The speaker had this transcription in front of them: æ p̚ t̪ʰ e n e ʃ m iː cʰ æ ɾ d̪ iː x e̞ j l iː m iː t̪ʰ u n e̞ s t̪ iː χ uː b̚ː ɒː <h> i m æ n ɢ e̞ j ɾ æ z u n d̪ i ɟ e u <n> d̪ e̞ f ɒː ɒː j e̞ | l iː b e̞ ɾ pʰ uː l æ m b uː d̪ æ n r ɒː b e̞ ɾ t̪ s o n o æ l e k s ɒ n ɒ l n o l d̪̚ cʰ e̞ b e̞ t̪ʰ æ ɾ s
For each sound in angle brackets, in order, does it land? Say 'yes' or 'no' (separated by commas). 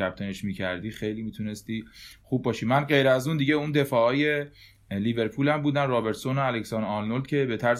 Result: no, yes